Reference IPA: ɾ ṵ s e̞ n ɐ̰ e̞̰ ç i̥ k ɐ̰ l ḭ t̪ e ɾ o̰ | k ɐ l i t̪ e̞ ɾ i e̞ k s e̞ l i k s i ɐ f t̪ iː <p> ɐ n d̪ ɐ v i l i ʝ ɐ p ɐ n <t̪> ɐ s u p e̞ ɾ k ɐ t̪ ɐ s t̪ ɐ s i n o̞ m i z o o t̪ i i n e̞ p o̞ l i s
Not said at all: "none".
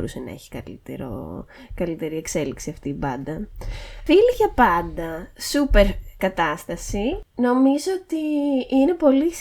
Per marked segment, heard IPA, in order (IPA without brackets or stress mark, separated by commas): b, d̪